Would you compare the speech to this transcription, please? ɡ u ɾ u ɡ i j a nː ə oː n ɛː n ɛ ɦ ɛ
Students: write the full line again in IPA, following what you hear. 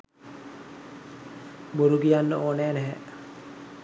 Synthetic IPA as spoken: b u ɾ u ɡ i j a nː ə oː n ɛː n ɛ ɦ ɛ

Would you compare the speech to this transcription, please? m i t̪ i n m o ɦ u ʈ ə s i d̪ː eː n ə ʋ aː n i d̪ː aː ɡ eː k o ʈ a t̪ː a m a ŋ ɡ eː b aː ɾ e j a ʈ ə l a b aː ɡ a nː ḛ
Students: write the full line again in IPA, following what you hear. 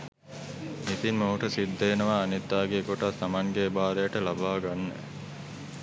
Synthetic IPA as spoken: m i t̪ i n m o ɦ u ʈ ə s i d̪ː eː n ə ʋ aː n i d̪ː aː ɡ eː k o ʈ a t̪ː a m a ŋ ɡ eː b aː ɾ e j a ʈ ə l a b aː ɡ a nː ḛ

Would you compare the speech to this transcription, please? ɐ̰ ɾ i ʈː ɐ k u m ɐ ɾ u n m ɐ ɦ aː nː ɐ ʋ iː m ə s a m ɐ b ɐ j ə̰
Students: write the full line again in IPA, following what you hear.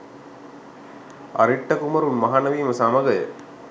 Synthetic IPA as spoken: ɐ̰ ɾ i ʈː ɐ k u m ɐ ɾ u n m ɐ ɦ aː n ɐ ʋ iː m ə s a m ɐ ɡ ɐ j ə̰

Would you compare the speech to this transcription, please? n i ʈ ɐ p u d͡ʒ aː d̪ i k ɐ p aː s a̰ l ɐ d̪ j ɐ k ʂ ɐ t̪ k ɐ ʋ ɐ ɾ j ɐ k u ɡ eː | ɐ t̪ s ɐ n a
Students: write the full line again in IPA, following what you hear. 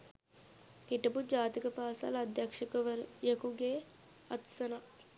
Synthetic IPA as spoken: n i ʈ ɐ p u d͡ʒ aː t̪ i k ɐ p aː s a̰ l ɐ d̪ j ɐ k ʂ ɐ k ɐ ʋ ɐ ɾ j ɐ k u ɡ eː | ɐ t̪ s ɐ n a

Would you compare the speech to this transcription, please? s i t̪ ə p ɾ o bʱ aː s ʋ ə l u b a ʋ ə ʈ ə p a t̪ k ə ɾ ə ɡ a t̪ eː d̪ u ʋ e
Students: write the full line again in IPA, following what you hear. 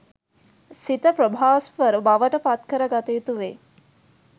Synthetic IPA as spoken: s i t̪ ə p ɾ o bʱ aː s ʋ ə ɾ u b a ʋ ə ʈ ə p a t̪ k ə ɾ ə ɡ a t̪ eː t̪ u ʋ e

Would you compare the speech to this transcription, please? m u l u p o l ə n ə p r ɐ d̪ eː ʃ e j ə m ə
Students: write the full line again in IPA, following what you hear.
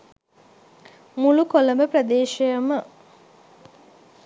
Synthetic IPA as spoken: m u l u k o l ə m ə p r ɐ d̪ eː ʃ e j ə m ə

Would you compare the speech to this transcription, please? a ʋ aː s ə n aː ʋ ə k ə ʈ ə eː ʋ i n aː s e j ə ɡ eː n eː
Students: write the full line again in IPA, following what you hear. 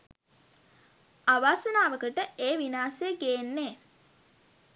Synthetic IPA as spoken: a ʋ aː s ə n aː ʋ ə k ə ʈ ə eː ʋ i n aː s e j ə ɡ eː nː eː

